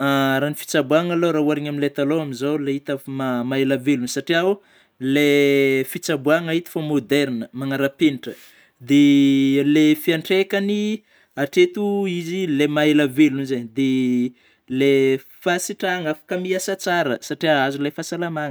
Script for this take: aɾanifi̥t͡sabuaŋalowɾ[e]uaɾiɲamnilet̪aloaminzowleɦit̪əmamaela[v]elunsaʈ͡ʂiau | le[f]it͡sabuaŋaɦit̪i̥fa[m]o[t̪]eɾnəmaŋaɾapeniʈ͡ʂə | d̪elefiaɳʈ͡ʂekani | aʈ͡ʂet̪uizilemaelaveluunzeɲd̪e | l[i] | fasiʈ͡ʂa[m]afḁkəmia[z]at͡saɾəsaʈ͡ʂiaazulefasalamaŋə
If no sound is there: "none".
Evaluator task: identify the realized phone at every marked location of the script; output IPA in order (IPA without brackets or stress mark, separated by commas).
a, v, f, m, d̪, e, ŋ, s